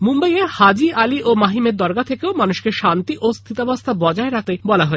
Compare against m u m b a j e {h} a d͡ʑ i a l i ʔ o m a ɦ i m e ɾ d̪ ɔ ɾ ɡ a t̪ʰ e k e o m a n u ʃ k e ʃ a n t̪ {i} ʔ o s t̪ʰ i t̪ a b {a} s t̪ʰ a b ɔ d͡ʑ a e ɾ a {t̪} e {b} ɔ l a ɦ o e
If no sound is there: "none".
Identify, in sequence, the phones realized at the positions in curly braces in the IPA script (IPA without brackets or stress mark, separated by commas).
h, i, a, t̪, b